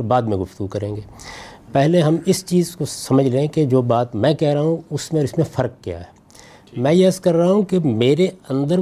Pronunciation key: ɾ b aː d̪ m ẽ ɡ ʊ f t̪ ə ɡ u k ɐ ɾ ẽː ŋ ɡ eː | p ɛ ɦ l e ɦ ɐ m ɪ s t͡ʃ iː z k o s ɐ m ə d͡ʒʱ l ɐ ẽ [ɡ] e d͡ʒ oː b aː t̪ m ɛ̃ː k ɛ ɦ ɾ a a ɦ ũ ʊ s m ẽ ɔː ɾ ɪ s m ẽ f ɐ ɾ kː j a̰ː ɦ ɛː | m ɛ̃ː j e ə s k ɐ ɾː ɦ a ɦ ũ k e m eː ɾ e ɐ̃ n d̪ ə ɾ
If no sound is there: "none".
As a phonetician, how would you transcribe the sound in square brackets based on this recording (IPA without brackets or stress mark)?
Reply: k